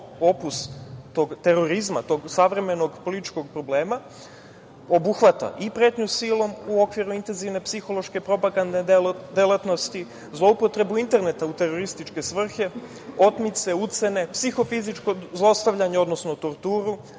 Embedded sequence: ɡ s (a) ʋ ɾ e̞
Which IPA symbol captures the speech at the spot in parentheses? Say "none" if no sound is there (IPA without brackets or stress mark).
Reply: a